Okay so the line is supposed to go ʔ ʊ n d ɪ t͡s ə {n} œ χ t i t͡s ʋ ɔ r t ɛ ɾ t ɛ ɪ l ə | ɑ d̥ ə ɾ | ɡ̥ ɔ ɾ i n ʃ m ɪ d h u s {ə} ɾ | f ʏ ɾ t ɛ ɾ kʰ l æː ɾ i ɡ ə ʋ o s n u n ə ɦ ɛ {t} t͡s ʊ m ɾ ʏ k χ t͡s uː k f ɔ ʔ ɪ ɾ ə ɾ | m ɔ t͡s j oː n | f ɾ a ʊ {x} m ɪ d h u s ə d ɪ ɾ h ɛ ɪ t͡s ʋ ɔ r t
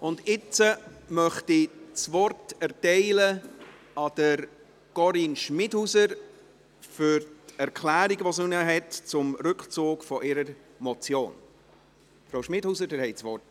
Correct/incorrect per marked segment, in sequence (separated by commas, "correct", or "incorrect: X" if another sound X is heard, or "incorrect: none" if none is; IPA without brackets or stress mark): incorrect: m, correct, correct, incorrect: ʃ